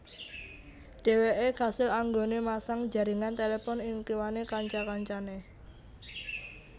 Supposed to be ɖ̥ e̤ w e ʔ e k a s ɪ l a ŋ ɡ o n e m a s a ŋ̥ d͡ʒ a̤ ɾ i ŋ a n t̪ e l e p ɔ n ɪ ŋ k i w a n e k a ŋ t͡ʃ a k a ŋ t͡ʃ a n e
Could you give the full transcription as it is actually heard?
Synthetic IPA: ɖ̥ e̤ w e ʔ e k a s ɪ l a ŋ ɡ o n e m a s a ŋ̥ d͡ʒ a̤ ɾ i ŋ a n t̪ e l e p ɔ n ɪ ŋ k i w a n e k a ɲ t͡ʃ a k a ɲ t͡ʃ a n e

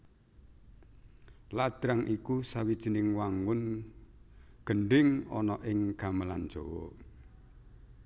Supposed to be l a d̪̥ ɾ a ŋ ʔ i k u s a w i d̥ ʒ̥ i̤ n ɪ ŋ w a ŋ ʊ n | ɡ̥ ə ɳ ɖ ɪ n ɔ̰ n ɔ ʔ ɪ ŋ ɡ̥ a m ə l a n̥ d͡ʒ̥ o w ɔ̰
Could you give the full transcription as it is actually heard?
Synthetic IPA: l a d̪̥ ɾ a ŋ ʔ i k u s a w i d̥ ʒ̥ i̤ n ɪ ŋ w a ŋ ʊ n | ɡ̥ ə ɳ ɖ ɪ ŋ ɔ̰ n ɔ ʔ ɪ ŋ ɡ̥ a m ə l a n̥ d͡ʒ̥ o w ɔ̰

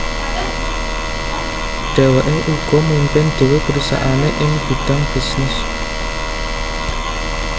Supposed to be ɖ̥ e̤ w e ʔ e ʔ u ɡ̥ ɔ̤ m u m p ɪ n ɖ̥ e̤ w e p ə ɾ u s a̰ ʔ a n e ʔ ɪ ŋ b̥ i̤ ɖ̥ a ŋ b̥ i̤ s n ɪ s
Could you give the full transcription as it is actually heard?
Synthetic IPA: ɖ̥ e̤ w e ʔ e ʔ u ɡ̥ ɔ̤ m u m p ɪ n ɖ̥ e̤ w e p ə ɾ u s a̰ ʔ a n e ʔ ɪ ŋ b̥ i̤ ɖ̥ a ŋ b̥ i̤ s n ɪ s

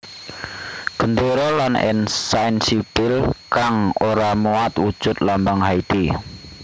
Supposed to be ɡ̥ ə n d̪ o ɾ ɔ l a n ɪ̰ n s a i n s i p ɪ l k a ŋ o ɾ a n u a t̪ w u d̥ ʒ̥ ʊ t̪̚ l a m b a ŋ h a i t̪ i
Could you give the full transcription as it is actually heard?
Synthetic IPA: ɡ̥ ə n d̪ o ɾ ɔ l a n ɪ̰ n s a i n s i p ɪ l k a ŋ o ɾ a m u a t̪ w u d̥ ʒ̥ ʊ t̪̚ l a m b a ŋ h a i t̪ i

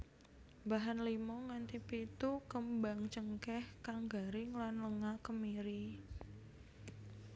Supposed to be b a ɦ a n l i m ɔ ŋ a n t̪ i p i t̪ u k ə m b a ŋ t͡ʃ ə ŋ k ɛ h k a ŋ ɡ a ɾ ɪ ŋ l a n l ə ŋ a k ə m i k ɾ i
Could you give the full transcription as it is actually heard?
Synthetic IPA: b a ɦ a n l i m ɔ ŋ a n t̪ i p i t̪ u k ə m b a ŋ t͡ʃ ə ŋ k ɛ h k a ŋ ɡ a ɾ ɪ ŋ l a n l ə ŋ a k ə m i ɾ i

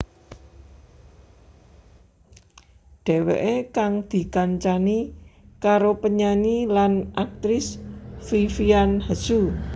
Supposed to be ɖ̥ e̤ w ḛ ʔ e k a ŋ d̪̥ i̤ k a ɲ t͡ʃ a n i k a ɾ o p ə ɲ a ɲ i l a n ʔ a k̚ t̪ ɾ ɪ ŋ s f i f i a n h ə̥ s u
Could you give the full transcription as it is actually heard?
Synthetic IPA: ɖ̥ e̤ w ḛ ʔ e k a ŋ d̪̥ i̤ k a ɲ t͡ʃ a n i k a ɾ o p ə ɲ a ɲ i l a n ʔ a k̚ t̪ ɾ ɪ s f i f i a n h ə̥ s u

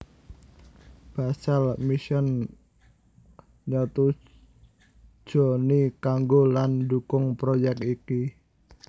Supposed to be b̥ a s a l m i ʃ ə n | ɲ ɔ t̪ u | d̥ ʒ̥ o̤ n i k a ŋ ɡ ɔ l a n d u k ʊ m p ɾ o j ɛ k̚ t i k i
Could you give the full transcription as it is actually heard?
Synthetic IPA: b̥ a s a l m i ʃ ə n | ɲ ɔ t̪ u | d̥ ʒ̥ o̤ n i k a ŋ ɡ o l a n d u k ʊ ŋ p ɾ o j ɛ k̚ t i k i

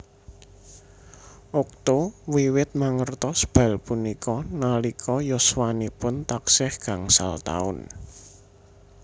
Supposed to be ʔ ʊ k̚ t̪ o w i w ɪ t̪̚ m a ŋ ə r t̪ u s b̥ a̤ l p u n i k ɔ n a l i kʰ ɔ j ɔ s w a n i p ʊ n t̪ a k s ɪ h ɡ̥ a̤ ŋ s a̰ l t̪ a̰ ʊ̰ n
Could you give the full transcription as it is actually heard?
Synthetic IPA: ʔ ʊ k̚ t̪ o w i w ɪ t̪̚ m a ŋ ə r t̪ ɔ s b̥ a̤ l p u n i k ɔ n a l i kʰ ɔ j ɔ s w a n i p ʊ n t̪ a k s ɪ h ɡ̥ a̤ ŋ s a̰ l t̪ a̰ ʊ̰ n

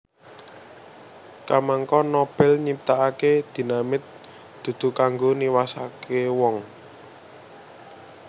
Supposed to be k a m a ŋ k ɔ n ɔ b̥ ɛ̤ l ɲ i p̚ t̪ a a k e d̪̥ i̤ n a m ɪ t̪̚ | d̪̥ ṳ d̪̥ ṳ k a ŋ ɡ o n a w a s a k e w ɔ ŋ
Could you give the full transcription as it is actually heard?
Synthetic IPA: k a m a ŋ k ɔ n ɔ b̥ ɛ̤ l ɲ i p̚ t̪ a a k e d̪̥ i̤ n a m ɪ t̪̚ | d̪̥ ṳ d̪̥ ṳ k a ŋ ɡ o n i w a s a k e w ɔ ŋ

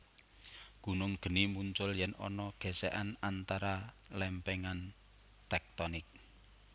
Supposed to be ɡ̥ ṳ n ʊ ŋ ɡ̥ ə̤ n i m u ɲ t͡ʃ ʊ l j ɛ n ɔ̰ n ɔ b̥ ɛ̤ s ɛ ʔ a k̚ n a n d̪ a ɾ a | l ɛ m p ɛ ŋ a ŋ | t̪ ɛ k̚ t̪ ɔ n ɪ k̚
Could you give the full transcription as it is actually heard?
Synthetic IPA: ɡ̥ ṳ n ʊ ŋ ɡ̥ ə̤ n i m u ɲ t͡ʃ ʊ l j ɛ n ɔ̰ n ɔ ɡ̥ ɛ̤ s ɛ ʔ a n a n t̪ a ɾ a | l ɛ m p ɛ ŋ a n | t̪ ɛ k̚ t̪ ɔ n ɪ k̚

